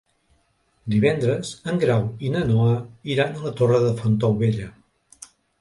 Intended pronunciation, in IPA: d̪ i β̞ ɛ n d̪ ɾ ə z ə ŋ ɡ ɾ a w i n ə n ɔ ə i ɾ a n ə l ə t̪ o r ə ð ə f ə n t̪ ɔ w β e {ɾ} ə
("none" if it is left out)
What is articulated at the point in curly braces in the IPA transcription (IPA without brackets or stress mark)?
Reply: ʎ